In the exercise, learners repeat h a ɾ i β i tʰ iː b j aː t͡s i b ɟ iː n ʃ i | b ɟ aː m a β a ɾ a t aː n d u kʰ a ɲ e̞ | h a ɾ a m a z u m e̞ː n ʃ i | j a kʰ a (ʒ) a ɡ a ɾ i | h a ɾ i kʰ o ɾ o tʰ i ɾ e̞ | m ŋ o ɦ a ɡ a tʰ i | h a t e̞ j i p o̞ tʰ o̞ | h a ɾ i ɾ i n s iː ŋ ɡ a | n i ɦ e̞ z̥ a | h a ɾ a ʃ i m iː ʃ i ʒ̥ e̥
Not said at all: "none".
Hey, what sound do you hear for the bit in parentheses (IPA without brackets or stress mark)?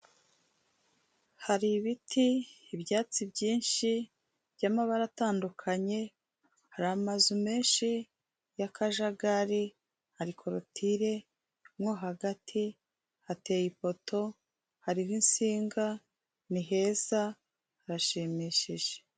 ʒ